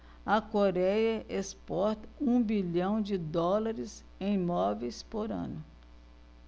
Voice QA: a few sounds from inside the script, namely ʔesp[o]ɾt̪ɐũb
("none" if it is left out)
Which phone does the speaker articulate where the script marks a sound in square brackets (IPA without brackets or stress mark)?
ɔ